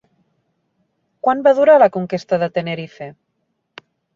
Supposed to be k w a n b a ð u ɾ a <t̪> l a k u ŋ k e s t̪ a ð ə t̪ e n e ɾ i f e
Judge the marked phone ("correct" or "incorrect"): incorrect